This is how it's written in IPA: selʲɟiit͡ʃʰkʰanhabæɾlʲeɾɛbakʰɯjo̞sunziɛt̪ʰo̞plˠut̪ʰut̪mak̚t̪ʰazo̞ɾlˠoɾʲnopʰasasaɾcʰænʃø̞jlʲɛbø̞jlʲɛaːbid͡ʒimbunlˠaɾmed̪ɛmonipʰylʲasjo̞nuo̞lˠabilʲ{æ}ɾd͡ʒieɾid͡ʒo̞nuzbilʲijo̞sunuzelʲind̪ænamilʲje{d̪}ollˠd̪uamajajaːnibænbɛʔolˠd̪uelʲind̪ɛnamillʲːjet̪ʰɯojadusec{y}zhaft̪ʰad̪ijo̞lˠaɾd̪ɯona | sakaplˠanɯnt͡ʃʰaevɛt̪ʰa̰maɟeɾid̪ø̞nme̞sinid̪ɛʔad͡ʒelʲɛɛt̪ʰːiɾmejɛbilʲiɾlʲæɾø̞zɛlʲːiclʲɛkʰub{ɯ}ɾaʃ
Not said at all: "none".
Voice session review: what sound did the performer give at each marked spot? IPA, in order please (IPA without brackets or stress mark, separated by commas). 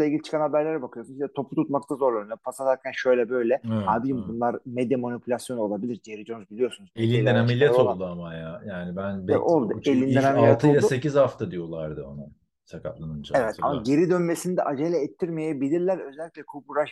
i, t̪, i, u